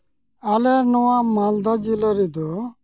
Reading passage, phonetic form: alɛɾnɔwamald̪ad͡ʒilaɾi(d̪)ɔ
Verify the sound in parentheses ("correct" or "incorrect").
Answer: correct